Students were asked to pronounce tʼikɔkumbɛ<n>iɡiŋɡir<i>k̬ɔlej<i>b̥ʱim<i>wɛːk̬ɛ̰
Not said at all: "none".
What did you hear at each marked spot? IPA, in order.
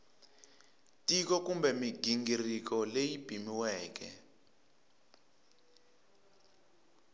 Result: m, i, i, i

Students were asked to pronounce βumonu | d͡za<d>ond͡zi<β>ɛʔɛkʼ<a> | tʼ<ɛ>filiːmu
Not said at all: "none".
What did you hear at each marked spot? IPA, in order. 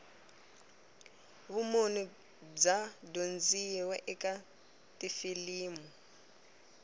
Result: d, w, a, i

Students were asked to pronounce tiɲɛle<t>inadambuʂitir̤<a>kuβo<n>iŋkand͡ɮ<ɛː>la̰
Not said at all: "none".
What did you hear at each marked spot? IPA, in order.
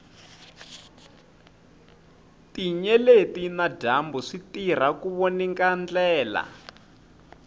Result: t, a, n, ɛː

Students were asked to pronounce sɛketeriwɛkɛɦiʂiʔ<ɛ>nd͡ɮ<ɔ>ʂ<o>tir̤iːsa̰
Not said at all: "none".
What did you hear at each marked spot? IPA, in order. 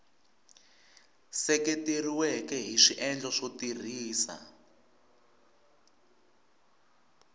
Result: ɛ, ɔ, o

